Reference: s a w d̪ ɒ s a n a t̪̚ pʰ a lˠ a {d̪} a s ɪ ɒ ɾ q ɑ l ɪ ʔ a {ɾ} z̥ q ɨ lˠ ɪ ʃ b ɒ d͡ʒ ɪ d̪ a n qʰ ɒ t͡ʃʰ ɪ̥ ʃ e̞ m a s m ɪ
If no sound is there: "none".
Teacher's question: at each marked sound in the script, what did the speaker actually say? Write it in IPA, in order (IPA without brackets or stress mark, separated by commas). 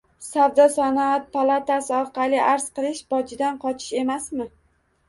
t̪, ɾ